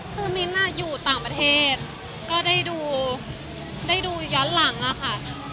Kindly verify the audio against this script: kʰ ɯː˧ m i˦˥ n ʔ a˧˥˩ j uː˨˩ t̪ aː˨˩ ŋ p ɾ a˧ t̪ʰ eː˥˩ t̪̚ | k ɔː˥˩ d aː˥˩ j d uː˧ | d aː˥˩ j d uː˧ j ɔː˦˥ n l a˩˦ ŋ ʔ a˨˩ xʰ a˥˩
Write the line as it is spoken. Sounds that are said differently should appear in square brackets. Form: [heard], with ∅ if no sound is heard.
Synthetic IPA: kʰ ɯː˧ m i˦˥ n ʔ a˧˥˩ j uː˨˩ t̪ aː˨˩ ŋ p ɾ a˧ t̪ʰ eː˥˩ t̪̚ | k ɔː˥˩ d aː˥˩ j d uː˧ | d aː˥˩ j d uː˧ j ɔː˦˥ n l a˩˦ ŋ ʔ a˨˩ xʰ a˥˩